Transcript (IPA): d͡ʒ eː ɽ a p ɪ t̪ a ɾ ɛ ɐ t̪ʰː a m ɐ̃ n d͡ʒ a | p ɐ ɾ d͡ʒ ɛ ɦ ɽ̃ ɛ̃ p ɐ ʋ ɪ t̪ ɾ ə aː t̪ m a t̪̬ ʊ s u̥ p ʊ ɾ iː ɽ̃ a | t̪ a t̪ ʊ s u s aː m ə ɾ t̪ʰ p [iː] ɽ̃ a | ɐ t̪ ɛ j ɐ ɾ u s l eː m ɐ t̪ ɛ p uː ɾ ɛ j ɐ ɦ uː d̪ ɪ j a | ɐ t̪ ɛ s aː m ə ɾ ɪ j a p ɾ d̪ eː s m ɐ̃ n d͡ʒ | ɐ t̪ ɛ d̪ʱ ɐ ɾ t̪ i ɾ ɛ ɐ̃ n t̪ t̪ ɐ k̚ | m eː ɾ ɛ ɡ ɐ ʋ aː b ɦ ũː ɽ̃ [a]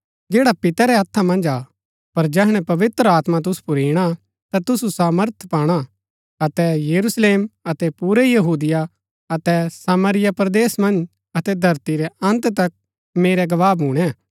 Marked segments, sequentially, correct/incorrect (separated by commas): incorrect, incorrect